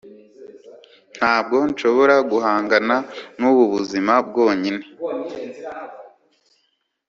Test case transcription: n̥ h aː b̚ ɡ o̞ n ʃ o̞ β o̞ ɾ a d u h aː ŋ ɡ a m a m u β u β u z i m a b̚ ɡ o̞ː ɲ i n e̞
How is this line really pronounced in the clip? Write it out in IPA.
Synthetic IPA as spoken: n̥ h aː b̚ ɡ o̞ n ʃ o̞ β o̞ ɾ a ɡ u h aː ŋ ɡ a n a n u β u β u z i m a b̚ ɡ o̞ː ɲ i n e̞

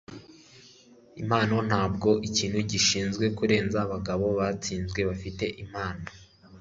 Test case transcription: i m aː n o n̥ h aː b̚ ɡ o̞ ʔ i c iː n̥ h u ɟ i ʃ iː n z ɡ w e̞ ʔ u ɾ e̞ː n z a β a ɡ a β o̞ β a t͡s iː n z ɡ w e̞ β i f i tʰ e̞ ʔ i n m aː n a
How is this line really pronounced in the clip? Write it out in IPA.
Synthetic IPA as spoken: i m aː n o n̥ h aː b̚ ɡ o̞ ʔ i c iː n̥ h u ɟ i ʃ iː n z ɡ w e̞ k u ɾ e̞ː n z a β a ɡ a β o̞ β a t͡s iː n z ɡ w e̞ β a f i t e̞ ʔ i m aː n a

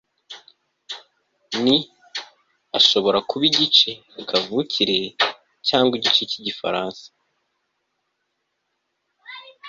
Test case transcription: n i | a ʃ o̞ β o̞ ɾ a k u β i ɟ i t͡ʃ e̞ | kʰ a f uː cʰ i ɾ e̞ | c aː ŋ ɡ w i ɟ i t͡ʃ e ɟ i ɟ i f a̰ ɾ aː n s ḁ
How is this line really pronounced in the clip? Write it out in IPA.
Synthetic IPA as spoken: n i | a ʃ o̞ β o̞ ɾ a k u β i ɟ i t͡ʃ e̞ | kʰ a v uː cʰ i ɾ e̞ | c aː ŋ ɡ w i ɟ i t͡ʃ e c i ɟ i f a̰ ɾ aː n s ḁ

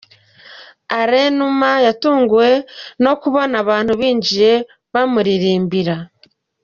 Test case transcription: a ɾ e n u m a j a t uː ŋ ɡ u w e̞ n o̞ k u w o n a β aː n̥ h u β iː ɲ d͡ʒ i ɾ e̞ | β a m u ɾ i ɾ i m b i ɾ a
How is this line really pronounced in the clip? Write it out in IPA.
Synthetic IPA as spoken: a ɾ e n u m a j a t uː ŋ ɡ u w e̞ n o̞ k u β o n a β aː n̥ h u β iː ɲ d͡ʒ i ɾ e̞ | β a m u ɾ i ɾ iː m b i ɾ a

